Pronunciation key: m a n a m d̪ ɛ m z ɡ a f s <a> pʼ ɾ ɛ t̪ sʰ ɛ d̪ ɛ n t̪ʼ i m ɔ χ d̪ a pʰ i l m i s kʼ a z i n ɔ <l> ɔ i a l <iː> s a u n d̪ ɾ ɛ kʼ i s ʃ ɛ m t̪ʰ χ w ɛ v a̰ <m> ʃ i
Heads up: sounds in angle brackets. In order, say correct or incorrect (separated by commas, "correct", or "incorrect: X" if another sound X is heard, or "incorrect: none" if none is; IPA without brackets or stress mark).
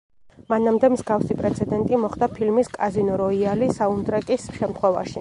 incorrect: i, incorrect: ɾ, incorrect: i, incorrect: none